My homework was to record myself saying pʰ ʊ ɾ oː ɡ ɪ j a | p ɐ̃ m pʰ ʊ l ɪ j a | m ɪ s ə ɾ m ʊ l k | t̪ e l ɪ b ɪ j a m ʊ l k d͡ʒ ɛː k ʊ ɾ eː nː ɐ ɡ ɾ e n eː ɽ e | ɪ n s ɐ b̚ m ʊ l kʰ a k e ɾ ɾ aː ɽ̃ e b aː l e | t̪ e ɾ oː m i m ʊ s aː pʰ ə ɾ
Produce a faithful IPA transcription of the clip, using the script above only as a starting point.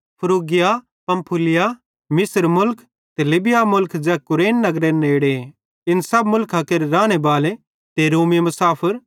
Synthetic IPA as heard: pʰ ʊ ɾ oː ɡ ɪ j a | p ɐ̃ m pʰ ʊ l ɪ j a | m ɪ s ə ɾ m ʊ l k | t̪ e l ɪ b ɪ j a m ʊ l k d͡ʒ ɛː k ʊ ɾ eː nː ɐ ɡ ɾ e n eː ɽ e | ɪ n s ɐ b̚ m ʊ l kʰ a k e ɾ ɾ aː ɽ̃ e b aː l e | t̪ e ɾ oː m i m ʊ s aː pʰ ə ɾ